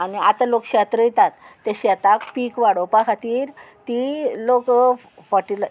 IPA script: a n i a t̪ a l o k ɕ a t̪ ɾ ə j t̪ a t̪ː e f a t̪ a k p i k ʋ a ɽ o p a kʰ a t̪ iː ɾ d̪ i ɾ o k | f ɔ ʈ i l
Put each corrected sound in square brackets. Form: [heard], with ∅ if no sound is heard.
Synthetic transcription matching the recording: a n i a t̪ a l o k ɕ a t̪ ɾ ə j t̪ a t̪ː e [ɕ] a t̪ a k p i k ʋ a ɽ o p a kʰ a t̪ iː ɾ [t̪] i [l] o k | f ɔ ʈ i l